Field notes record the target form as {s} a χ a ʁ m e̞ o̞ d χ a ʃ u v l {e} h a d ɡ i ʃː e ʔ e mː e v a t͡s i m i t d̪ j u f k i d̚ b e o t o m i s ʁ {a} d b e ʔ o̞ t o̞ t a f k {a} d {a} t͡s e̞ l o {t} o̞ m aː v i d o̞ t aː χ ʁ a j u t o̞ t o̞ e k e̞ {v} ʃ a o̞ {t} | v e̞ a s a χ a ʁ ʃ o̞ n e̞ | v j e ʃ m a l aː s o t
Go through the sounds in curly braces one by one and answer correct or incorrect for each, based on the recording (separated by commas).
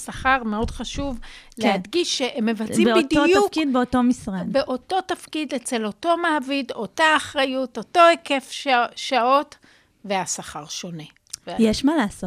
correct, correct, correct, incorrect, incorrect, correct, incorrect, correct